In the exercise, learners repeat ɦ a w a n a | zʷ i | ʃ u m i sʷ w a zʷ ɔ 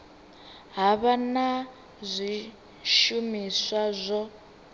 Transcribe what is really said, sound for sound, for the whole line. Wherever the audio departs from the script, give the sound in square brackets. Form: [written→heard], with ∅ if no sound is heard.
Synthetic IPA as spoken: ɦ a [w→β] a n a | zʷ i | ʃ u m i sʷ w a zʷ ɔ